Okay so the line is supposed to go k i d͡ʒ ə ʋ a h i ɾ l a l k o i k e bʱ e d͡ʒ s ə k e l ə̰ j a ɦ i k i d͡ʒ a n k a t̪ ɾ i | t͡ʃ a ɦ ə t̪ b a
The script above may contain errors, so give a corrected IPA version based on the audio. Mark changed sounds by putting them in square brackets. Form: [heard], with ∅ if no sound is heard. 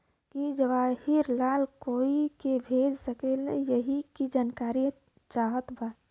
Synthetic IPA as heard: k i d͡ʒ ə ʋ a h i ɾ l a l k o i k e bʱ e d͡ʒ s ə k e l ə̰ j [ə] ɦ i k i d͡ʒ a n k a [∅] ɾ i | t͡ʃ a ɦ ə t̪ b a